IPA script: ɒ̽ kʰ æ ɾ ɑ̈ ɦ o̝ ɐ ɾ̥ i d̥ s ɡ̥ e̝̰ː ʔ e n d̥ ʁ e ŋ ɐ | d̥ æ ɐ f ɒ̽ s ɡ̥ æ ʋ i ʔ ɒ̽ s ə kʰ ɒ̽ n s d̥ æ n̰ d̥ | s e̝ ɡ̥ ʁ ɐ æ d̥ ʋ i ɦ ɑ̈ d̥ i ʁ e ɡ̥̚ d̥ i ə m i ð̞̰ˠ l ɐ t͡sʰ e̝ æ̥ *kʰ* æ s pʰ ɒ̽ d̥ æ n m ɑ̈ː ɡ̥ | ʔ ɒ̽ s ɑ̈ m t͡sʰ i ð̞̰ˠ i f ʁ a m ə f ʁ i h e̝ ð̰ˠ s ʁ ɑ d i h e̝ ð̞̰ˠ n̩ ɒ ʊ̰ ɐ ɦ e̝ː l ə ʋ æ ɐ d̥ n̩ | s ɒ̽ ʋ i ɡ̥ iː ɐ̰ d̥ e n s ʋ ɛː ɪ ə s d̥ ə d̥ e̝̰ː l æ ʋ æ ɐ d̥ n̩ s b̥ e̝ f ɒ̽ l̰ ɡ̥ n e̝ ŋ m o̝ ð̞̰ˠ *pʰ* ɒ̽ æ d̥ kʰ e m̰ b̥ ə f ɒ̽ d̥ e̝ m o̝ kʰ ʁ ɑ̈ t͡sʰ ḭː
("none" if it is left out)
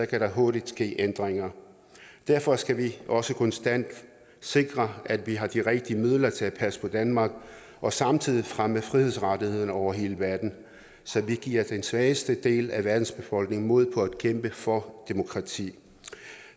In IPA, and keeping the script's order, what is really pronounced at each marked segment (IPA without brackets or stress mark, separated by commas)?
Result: pʰ, pʰ